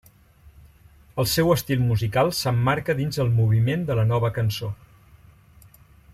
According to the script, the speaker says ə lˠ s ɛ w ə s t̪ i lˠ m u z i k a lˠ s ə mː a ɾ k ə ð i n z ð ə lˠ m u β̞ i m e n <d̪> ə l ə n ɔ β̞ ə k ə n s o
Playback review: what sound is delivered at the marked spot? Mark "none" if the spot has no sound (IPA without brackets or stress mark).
d̪